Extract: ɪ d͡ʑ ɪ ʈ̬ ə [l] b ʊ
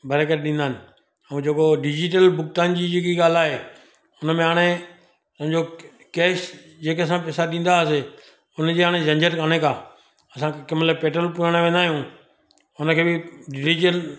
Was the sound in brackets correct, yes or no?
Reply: yes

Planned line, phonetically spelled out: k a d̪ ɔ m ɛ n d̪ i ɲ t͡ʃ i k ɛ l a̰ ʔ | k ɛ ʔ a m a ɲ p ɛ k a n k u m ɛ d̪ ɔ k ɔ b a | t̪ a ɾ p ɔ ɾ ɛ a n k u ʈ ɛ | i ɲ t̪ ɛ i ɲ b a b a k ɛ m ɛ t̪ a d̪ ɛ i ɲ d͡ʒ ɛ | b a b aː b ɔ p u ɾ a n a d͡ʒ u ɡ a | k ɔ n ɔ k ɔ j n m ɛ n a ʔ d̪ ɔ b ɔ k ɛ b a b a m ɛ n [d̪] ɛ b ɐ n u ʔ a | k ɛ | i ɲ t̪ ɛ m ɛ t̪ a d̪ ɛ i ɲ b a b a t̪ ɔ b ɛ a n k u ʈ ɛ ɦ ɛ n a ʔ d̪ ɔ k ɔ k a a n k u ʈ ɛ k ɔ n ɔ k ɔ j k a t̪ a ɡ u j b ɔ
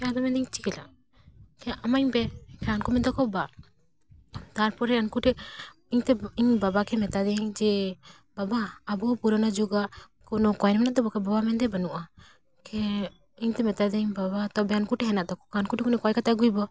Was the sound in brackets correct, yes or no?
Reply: yes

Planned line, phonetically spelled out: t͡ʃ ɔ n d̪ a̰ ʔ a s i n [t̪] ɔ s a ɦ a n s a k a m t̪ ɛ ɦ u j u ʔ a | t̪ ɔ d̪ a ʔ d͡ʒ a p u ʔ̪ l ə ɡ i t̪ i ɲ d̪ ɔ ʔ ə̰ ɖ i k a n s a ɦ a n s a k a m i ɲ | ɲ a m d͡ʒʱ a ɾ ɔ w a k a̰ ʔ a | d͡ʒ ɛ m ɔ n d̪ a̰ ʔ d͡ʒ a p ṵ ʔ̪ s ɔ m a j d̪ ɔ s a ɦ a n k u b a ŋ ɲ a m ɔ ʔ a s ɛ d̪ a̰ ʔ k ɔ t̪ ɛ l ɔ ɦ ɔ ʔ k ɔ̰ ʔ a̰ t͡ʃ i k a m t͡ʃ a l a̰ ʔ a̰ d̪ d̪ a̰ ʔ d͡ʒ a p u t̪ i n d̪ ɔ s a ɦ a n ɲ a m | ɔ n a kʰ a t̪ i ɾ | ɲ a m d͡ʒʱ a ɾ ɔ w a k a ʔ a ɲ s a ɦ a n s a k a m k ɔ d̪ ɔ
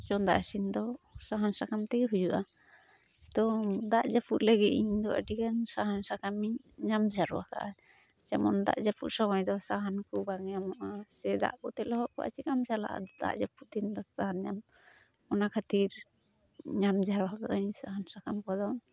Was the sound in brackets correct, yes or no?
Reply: no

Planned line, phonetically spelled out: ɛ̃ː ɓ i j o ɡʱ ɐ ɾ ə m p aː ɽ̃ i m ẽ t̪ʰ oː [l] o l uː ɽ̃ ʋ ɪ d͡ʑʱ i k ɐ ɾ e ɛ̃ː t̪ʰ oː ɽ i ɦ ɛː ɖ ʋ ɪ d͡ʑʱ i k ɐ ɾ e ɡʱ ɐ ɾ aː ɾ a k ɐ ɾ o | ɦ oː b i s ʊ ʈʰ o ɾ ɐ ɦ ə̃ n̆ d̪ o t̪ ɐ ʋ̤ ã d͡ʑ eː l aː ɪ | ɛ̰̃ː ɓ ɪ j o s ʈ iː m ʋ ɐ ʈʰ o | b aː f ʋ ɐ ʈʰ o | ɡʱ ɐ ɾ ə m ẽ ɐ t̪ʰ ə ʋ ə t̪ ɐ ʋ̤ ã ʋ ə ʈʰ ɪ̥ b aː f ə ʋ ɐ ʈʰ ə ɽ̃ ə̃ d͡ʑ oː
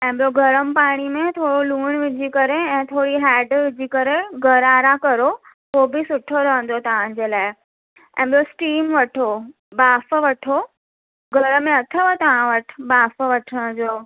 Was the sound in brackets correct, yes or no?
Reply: no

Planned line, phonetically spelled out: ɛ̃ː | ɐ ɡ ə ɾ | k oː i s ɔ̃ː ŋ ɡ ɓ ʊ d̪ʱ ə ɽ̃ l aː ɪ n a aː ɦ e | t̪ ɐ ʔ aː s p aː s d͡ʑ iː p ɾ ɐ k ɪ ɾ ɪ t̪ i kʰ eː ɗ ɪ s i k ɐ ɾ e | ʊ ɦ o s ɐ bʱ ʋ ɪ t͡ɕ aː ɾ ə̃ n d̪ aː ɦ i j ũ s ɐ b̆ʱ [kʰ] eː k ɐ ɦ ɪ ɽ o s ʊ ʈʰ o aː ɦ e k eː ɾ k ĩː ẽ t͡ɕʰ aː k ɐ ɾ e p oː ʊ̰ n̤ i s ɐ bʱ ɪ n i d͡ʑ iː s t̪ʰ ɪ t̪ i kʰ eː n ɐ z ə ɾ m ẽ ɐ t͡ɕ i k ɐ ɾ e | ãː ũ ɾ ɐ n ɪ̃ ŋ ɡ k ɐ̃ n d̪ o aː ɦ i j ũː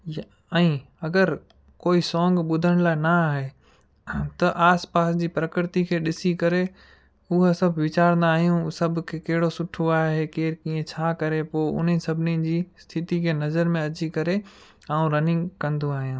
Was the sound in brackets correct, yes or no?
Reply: yes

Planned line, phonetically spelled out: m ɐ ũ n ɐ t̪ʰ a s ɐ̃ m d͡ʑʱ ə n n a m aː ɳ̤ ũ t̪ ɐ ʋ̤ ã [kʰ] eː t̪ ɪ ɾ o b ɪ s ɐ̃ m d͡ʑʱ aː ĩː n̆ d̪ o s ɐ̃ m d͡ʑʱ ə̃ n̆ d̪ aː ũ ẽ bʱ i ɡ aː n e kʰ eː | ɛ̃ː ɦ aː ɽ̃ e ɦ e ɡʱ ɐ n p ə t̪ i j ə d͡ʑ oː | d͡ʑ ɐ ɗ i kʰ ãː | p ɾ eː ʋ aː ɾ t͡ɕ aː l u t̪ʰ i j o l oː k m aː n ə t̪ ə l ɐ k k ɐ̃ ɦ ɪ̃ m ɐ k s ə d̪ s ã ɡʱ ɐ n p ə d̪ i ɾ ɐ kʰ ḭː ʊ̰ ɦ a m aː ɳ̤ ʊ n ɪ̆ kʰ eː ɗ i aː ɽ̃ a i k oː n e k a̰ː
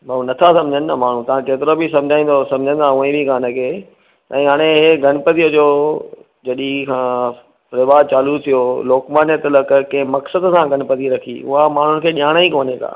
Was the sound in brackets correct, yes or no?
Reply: no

